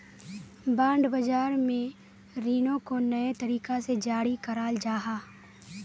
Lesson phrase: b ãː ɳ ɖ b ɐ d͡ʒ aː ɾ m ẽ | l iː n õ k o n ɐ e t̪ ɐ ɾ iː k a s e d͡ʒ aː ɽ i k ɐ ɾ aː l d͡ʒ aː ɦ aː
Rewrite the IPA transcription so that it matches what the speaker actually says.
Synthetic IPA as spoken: b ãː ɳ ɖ b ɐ d͡ʒ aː ɾ m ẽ | ɾ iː n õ k o n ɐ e t̪ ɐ ɾ iː k a s e d͡ʒ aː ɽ i k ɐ ɾ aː l d͡ʒ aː ɦ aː